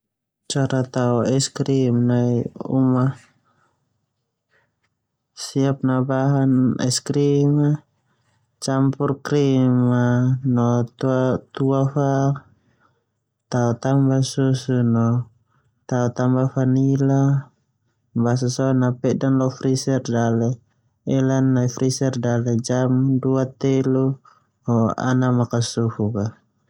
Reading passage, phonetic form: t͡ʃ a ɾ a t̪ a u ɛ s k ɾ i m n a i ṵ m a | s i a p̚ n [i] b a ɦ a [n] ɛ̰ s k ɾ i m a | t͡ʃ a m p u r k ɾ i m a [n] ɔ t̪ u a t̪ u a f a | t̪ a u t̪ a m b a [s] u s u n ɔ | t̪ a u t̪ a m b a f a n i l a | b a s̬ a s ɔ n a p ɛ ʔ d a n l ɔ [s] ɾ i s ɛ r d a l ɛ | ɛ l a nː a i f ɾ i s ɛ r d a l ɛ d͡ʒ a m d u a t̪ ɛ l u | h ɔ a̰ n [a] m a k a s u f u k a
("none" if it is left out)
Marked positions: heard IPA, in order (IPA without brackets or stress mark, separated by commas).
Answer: a, n, n, s, f, a